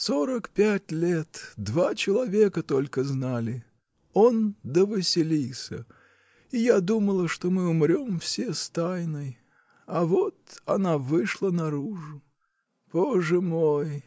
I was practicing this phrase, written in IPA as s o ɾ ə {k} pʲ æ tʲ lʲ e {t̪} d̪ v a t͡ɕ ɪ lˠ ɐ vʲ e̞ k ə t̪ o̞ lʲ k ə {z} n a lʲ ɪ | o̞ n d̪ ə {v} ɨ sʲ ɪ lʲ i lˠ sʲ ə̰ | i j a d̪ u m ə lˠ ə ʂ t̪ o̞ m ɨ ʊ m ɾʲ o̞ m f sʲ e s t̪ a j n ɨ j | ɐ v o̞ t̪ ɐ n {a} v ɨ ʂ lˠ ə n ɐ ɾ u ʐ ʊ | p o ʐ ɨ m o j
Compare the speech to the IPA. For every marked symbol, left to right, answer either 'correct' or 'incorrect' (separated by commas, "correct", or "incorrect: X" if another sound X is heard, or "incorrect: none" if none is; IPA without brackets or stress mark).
correct, correct, correct, correct, correct